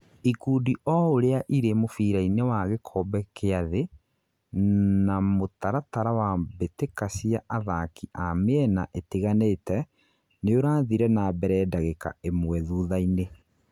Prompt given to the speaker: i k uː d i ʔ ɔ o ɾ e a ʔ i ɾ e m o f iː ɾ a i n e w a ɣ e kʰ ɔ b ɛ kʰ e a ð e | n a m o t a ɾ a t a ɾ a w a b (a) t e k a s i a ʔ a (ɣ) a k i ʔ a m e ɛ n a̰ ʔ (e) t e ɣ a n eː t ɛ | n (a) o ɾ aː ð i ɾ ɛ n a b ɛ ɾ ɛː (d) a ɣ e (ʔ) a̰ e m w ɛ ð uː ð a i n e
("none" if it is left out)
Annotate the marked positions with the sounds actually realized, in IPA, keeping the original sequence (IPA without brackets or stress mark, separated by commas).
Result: e, ð, e, e, d, k